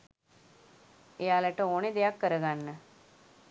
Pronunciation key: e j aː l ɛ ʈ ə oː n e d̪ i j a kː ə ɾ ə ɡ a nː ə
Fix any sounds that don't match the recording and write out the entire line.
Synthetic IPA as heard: e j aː l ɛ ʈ ə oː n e d̪ e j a kː ə ɾ ə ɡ a nː ə